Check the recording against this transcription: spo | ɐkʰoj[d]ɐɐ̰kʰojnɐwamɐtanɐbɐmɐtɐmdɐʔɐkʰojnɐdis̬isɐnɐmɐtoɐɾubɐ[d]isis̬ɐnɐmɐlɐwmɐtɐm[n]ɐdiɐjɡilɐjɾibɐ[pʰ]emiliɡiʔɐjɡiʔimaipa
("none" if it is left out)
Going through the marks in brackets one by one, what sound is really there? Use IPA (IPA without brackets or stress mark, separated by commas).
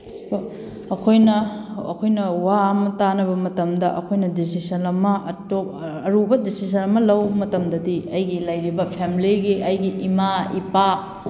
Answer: n, d, d, pʰ